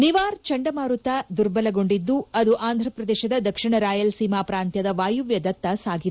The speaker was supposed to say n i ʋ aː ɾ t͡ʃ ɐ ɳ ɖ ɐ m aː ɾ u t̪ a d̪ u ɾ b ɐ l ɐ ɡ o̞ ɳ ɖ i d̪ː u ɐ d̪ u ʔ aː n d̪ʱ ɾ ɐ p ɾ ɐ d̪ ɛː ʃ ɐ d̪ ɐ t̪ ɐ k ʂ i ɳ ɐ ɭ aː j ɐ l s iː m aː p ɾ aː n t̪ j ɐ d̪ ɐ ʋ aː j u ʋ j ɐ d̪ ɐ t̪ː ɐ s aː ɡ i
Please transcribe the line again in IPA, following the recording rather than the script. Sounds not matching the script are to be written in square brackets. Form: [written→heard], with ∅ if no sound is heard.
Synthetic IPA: n i ʋ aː ɾ t͡ʃ ɐ ɳ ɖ ɐ m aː ɾ u t̪ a d̪ u ɾ b ɐ l ɐ ɡ o̞ ɳ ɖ i d̪ː u ɐ d̪ u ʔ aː n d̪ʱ ɾ ɐ p ɾ ɐ d̪ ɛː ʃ ɐ d̪ ɐ [t̪→d̪] ɐ k ʂ i ɳ ɐ [ɭ→ɾ] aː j ɐ l s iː m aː p ɾ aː n t̪ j ɐ d̪ ɐ ʋ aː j u ʋ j ɐ d̪ ɐ t̪ː ɐ s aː ɡ i